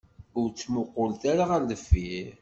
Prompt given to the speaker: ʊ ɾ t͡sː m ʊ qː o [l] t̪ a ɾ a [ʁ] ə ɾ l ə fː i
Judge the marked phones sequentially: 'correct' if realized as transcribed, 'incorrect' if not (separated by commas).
correct, correct